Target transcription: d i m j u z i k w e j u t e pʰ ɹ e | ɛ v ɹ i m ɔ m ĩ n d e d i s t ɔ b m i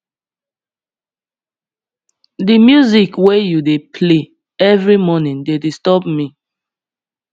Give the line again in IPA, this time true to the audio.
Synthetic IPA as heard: d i m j u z i k w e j u d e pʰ l e | ɛ v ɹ i m ɔ n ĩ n d e d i s t ɔ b m i